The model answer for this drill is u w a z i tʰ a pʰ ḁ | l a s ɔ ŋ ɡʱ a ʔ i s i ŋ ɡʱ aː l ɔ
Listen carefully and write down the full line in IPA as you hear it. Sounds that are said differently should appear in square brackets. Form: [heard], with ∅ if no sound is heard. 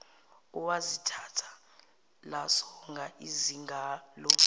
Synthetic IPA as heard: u w a z i tʰ a [tʰ] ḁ | l a s ɔ ŋ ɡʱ a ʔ i [z] i ŋ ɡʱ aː l ɔ